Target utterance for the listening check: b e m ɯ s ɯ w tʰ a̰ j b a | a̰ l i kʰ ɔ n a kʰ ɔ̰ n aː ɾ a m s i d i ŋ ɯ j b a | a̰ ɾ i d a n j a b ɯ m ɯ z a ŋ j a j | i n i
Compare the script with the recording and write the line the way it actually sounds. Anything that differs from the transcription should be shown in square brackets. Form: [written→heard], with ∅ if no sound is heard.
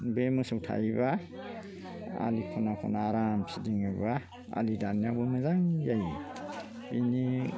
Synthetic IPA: b e m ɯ s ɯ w tʰ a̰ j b a | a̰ l i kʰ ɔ n a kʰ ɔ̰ n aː ɾ a m s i d i ŋ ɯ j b a | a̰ [ɾ→l] i d a n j a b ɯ m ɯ z a ŋ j a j | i n i